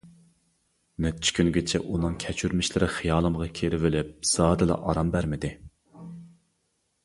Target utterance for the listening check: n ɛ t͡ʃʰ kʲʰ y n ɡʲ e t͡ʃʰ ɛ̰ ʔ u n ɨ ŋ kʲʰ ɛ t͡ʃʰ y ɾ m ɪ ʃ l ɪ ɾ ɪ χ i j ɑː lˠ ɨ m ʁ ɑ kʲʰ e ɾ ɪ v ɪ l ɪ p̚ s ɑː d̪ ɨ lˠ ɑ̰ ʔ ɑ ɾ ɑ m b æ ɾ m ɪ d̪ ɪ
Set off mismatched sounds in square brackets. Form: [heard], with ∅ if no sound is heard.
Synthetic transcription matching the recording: n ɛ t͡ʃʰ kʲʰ y n ɡʲ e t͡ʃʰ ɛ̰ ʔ u n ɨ ŋ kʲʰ ɛ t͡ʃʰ y ɾ m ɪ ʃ l ɪ ɾ ɪ χ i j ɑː lˠ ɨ m ʁ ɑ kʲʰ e ɾ ɪ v ɪ l ɪ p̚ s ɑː d̪ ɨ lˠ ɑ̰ ʔ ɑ ɾ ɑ m b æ ɾ m ɪ d̪ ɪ